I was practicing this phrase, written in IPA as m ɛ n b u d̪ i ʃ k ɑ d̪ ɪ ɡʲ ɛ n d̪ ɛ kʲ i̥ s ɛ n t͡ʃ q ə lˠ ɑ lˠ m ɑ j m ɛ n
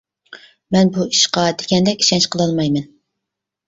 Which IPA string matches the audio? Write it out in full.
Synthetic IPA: m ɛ n b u i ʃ q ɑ d̪ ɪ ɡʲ ɛ n d̪ ɛ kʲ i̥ ʃ ɛ n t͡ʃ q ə lˠ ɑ lˠ m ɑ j m ɛ n